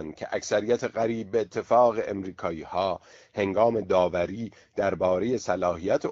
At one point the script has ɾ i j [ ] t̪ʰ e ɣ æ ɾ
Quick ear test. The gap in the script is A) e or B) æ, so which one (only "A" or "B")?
B